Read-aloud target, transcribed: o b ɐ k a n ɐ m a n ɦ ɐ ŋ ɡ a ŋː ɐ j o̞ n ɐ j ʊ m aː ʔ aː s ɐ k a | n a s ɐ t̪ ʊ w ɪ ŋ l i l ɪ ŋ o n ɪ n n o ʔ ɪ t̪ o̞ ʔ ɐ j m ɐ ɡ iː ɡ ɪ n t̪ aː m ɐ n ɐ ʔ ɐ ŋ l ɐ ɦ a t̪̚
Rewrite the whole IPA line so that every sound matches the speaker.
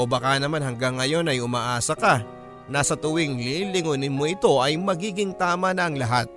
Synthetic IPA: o b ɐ k a n ɐ m a n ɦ ɐ ŋ ɡ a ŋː ɐ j o̞ n ɐ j ʊ m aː ʔ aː s ɐ k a | n a s ɐ t̪ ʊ w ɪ ŋ l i l ɪ ŋ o n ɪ n m o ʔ ɪ t̪ o̞ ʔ ɐ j m ɐ ɡ iː ɡ ɪ ŋ t̪ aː m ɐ n ɐ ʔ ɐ ŋ l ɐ ɦ a t̪̚